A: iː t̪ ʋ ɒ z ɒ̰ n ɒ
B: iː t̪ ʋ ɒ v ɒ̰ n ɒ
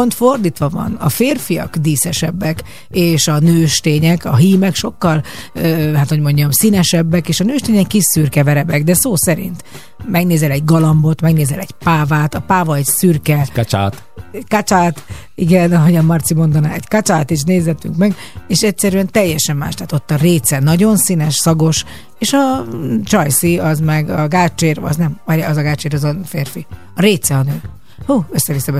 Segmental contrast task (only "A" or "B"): B